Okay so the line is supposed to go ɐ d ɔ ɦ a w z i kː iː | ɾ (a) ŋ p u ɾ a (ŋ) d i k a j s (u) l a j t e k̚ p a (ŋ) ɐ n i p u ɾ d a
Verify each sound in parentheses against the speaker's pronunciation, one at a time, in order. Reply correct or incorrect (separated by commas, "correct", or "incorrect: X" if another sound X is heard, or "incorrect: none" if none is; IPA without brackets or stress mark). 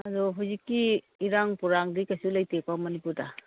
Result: correct, correct, correct, incorrect: m